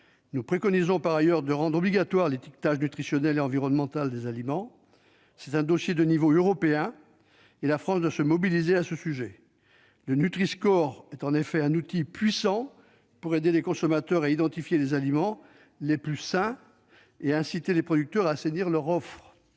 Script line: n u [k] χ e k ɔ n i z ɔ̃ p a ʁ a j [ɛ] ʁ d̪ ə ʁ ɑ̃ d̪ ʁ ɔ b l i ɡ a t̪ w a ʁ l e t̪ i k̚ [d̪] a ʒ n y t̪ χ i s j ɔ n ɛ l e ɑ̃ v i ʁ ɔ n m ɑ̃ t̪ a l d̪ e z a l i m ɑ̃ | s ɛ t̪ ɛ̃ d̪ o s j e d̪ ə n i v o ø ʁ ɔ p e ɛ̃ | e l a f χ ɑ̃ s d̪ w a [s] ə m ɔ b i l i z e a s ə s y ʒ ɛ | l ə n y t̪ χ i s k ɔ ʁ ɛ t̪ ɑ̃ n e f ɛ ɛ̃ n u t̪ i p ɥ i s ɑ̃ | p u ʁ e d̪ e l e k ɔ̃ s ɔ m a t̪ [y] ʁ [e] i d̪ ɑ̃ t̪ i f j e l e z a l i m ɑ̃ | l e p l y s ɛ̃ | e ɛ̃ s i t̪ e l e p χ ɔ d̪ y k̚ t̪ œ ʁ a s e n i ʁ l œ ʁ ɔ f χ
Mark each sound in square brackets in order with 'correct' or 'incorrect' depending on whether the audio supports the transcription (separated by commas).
incorrect, incorrect, incorrect, correct, incorrect, incorrect